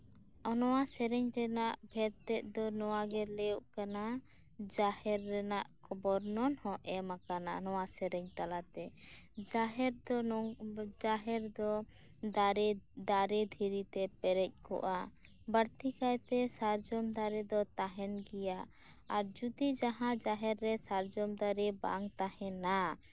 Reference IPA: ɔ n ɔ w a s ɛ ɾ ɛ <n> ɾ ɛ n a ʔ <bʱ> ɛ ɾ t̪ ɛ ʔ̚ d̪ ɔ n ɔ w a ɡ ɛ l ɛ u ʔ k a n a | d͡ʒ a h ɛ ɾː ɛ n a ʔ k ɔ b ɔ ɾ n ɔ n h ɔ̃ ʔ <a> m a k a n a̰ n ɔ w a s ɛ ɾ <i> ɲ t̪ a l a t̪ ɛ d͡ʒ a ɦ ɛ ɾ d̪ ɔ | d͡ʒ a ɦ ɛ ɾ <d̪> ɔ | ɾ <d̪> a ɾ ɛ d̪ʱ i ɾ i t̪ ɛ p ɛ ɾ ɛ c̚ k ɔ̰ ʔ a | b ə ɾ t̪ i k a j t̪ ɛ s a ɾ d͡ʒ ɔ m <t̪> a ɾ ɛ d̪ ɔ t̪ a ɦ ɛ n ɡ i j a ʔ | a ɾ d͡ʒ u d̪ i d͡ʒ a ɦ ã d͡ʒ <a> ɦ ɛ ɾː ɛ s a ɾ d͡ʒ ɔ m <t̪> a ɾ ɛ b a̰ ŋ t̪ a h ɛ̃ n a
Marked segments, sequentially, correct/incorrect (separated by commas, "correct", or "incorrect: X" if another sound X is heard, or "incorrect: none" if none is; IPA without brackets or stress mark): incorrect: ɲ, correct, incorrect: ɛ, incorrect: ɛ, correct, correct, incorrect: d̪, correct, incorrect: d̪